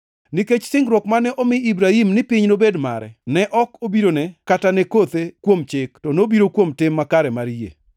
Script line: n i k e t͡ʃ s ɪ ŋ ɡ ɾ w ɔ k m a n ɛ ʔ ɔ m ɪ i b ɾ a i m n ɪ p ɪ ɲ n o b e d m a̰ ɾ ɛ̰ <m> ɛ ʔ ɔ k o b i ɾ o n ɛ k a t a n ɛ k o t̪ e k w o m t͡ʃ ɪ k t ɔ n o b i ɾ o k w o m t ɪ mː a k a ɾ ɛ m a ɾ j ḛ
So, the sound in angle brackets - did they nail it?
no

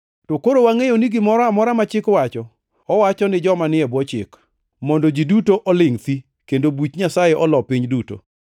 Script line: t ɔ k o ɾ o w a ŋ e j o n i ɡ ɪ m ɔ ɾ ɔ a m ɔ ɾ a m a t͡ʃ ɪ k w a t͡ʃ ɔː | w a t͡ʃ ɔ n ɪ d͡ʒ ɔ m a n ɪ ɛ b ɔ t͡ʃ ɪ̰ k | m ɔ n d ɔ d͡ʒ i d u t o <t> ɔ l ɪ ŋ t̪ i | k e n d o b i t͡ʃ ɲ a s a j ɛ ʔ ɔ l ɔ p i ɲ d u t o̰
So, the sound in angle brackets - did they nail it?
no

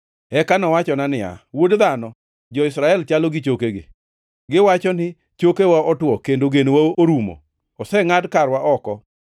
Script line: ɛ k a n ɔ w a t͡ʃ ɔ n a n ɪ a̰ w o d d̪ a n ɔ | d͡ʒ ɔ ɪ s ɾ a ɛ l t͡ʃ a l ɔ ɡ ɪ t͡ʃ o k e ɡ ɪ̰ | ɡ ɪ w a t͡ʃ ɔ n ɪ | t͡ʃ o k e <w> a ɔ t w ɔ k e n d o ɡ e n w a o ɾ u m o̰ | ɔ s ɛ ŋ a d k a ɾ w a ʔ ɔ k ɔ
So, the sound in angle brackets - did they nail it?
yes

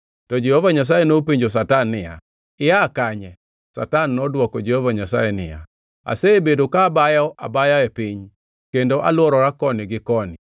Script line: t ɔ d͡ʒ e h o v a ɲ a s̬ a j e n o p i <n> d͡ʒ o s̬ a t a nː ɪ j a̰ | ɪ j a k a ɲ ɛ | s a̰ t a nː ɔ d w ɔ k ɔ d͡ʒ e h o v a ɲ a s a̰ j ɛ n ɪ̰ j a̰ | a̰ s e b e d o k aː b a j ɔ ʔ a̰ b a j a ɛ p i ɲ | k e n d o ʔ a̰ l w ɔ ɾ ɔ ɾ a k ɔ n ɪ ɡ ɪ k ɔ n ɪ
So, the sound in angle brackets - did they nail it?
no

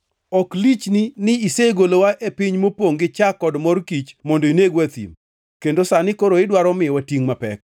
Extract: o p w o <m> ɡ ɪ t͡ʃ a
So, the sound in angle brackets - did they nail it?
no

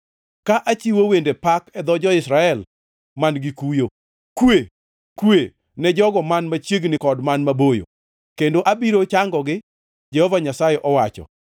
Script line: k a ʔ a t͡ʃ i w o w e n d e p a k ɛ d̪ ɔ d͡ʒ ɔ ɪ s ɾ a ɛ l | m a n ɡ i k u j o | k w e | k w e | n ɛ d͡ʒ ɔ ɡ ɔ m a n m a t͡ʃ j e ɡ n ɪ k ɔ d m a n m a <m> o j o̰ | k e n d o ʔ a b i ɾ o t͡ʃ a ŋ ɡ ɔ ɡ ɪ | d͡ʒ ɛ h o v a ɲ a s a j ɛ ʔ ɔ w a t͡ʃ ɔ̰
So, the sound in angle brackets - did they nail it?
no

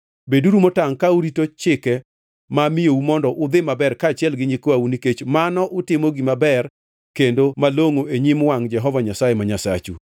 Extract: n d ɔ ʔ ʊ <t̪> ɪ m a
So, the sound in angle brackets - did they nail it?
no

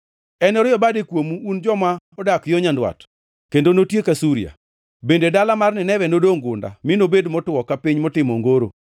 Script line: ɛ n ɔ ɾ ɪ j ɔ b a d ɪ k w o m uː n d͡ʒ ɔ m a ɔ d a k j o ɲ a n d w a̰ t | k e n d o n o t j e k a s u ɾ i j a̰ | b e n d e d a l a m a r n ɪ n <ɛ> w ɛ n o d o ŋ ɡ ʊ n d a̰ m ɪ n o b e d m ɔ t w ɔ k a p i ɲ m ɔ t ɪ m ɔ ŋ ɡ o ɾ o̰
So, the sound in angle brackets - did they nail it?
yes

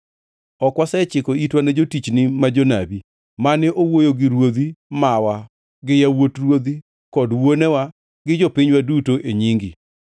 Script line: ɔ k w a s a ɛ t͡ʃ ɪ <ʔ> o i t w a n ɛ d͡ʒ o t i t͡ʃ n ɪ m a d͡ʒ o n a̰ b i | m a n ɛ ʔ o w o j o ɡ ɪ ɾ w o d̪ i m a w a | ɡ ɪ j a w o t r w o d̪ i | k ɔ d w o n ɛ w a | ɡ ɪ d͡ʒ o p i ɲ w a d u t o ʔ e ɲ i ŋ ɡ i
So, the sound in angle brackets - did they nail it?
no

